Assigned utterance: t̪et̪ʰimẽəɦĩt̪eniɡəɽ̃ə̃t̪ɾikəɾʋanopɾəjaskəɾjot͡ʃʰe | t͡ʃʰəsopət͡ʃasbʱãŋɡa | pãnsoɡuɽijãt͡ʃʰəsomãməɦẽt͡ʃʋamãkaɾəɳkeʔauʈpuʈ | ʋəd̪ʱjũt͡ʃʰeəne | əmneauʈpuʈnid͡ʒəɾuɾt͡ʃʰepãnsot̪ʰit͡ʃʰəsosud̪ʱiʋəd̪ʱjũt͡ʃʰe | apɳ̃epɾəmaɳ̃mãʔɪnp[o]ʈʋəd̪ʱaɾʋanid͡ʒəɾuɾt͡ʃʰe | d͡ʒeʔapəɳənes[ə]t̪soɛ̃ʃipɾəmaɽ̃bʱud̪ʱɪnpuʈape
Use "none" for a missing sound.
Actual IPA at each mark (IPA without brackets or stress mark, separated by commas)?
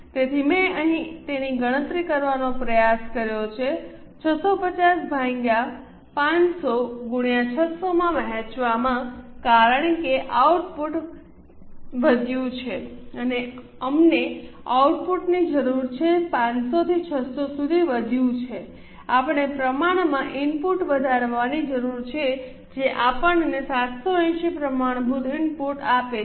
u, a